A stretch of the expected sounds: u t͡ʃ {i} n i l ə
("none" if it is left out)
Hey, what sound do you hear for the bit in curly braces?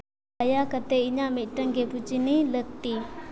i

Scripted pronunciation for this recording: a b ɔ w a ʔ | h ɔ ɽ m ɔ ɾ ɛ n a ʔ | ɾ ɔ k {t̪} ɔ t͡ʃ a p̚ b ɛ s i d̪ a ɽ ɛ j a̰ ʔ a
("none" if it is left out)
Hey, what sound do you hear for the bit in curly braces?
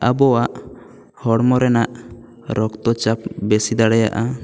t̪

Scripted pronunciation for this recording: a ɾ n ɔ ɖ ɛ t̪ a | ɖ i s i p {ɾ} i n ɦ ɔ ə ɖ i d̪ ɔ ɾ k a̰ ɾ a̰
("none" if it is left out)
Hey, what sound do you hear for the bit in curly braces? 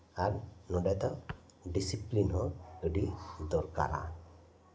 l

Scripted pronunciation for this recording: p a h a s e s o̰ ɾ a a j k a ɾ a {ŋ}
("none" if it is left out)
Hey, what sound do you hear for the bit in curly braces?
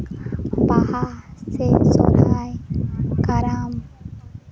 m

